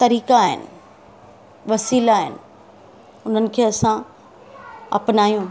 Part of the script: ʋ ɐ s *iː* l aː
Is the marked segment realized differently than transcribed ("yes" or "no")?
no